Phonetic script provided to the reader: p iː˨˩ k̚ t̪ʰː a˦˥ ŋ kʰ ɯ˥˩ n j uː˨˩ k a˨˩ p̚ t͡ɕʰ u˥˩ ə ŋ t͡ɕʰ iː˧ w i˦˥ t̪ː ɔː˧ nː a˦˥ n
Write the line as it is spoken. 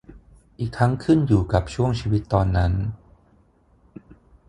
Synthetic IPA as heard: ʔ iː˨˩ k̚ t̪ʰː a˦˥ ŋ kʰ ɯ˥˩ n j uː˨˩ k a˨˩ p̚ t͡ɕʰ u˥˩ ə ŋ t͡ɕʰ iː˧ w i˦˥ t̪ː ɔː˧ nː a˦˥ n